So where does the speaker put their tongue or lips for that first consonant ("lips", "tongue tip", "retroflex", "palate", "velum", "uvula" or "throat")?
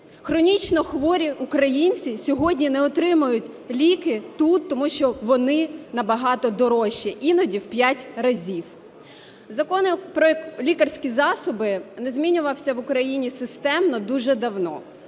velum